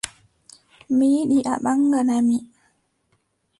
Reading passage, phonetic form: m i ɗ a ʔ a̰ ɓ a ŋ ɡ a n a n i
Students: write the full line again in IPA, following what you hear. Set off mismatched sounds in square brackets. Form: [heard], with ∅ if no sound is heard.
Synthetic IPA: m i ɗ [i] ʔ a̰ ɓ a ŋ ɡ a n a [m] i